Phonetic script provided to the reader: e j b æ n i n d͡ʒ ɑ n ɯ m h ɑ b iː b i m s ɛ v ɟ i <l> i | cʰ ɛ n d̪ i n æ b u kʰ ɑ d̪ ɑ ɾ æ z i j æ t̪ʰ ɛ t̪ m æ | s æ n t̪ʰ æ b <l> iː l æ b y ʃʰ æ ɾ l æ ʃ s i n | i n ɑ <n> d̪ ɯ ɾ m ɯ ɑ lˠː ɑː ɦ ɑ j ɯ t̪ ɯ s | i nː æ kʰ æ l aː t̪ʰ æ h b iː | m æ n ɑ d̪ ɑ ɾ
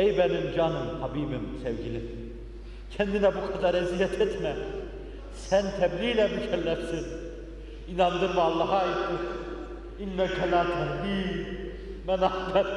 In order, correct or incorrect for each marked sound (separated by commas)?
correct, correct, correct